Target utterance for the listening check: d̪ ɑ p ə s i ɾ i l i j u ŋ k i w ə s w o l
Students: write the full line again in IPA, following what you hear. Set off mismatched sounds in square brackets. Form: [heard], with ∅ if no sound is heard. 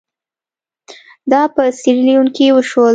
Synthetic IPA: d̪ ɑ p ə s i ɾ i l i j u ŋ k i w ə [ʃ] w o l